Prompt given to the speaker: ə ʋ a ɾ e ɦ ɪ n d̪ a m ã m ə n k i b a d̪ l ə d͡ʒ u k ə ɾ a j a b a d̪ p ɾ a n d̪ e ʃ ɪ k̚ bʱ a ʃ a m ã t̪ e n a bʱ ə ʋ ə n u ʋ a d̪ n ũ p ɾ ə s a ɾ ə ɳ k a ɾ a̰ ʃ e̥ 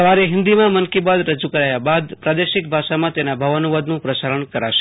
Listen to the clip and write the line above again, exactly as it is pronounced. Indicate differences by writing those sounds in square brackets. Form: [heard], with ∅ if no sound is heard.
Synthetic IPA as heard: ə ʋ a ɾ e ɦ ɪ n d̪ [i] m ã m ə n k i b a d̪ [ɾ] ə d͡ʒ u k ə ɾ a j a b a d̪ p ɾ a [∅] d̪ e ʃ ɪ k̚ bʱ a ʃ a m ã t̪ e n a bʱ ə ʋ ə n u ʋ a d̪ n ũ p ɾ ə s a ɾ ə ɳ k [ə] ɾ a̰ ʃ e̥